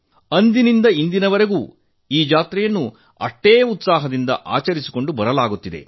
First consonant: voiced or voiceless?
voiced